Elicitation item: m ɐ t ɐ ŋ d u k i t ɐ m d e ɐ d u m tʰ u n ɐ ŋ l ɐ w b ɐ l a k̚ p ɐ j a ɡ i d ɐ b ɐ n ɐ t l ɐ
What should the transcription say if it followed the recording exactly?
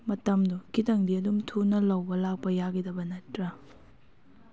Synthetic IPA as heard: m ɐ t ɐ m d u k i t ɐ ŋ d i ɐ d u m tʰ u n ɐ l ɐ w b ɐ l a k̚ p ɐ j a ɡ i d ɐ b ɐ n ɐ t ɾ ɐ

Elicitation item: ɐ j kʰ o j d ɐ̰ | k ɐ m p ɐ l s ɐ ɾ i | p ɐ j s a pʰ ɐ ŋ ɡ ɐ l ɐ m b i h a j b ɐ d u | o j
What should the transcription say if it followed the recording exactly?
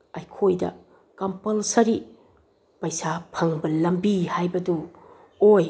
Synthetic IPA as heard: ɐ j kʰ o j d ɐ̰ | k ɐ m p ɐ l s ɐ ɾ i | p ɐ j s a pʰ ɐ ŋ b ɐ l ɐ m b i h a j b ɐ d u | o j

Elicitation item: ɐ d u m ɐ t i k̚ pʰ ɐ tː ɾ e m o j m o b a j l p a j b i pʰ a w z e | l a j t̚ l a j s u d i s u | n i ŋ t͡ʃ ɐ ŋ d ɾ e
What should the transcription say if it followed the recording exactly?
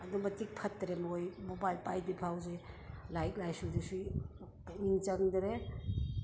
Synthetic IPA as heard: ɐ d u m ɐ t i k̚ pʰ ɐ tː ɾ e m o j m o b a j l p a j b i pʰ a w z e | l a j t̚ l a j s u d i s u | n i ŋ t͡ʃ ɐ ŋ d ɾ e

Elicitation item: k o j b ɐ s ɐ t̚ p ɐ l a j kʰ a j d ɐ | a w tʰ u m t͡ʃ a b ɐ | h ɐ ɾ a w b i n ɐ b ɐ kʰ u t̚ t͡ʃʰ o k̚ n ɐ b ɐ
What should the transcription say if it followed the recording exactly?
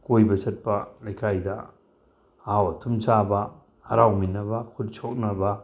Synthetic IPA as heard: k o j b ɐ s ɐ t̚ p ɐ l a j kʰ a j d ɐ | a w tʰ u m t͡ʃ a b ɐ | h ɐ ɾ a w m i n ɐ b ɐ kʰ u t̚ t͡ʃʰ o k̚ n ɐ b ɐ

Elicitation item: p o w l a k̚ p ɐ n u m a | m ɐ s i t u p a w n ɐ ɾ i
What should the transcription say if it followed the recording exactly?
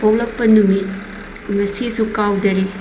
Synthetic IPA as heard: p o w l ɐ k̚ p ɐ n u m i | m ɐ s i s u k a w d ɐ ɾ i

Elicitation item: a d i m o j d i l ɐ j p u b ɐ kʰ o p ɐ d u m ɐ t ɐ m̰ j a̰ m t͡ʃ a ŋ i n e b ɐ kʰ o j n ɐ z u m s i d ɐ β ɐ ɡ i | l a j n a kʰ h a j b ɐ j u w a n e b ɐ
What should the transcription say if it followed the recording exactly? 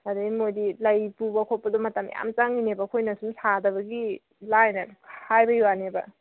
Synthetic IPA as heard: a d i m o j d i l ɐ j p u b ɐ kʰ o p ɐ d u m ɐ t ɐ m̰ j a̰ m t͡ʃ a ŋ i n e b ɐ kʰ o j n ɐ s u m s a d ɐ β ɐ ɡ i | l a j n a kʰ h a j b ɐ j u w a n e b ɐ

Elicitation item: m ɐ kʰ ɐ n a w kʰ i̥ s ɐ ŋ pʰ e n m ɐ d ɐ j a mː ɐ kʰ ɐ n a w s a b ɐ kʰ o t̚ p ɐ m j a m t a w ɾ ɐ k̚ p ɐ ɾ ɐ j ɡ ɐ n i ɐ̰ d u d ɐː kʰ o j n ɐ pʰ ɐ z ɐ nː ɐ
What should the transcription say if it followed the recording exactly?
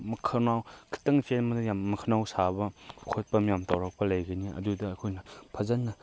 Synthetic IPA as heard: m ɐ kʰ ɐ n a w kʰ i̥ t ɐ ŋ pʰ e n m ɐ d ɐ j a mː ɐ kʰ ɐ n a w s a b ɐ kʰ o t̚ p ɐ m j a m t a w ɾ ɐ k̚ p ɐ l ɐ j ɡ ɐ n i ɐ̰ d u d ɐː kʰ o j n ɐ pʰ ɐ z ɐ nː ɐ

